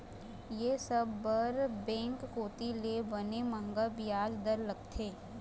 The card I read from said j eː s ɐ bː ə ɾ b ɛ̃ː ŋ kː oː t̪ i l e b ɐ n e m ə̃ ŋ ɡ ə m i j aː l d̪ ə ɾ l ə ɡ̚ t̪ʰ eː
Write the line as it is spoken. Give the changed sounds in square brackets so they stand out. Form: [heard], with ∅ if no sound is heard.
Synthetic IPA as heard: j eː s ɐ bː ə ɾ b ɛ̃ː ŋ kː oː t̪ i l e b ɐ n e m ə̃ ŋ ɡ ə [b] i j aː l d̪ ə ɾ l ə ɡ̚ t̪ʰ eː